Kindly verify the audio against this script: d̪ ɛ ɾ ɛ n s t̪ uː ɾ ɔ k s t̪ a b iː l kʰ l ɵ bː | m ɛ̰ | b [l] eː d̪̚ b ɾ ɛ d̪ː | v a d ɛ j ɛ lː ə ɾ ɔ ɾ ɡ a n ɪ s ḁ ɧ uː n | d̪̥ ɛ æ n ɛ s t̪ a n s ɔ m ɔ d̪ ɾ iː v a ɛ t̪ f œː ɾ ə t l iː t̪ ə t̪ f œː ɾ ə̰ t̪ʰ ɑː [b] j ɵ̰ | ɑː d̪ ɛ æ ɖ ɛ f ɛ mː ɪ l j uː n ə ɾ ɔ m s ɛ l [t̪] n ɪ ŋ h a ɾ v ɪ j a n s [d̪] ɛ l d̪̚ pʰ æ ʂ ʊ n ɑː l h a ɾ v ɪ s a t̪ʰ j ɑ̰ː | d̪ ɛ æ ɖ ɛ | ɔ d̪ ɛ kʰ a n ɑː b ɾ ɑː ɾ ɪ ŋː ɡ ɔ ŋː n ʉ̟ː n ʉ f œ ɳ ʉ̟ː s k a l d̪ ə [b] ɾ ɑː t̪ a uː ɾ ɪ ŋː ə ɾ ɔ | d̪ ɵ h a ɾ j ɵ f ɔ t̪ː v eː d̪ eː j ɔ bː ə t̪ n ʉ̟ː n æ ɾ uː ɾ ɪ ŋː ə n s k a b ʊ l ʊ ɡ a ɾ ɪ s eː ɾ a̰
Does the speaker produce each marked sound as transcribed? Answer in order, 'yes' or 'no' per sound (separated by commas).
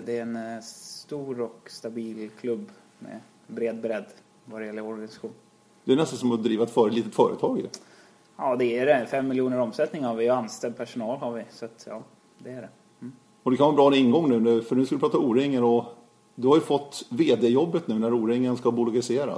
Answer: no, no, yes, no, no